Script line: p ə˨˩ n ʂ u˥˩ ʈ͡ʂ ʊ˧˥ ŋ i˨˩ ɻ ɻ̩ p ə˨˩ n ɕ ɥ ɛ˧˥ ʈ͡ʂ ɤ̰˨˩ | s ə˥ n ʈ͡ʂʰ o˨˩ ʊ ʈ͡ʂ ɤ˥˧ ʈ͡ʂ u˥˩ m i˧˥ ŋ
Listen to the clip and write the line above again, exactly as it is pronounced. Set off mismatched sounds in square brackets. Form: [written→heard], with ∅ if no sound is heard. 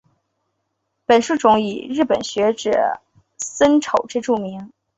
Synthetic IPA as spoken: p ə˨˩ n ʂ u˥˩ ʈ͡ʂ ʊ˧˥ ŋ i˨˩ ɻ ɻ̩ p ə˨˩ n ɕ ɥ ɛ˧˥ ʈ͡ʂ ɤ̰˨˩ | s ə˥ n ʈ͡ʂʰ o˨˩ ʊ ʈ͡ʂ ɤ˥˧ ʈ͡ʂ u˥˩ m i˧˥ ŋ